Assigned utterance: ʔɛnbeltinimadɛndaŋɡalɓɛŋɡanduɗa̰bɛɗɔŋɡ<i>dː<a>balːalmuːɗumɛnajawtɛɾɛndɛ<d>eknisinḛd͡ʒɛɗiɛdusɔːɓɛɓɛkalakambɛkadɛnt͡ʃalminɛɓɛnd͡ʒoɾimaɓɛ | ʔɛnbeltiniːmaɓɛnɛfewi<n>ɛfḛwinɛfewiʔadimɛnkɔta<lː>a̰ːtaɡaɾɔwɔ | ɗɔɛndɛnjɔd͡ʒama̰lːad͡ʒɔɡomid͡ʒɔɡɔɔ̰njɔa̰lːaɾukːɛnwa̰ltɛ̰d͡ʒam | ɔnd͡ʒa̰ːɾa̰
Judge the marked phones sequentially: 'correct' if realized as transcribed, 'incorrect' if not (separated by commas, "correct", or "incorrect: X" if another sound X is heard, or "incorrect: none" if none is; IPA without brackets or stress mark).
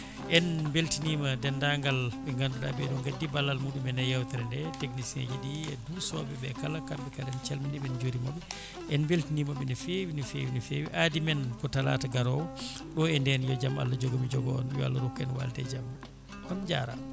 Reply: incorrect: a, incorrect: i, incorrect: t, correct, incorrect: l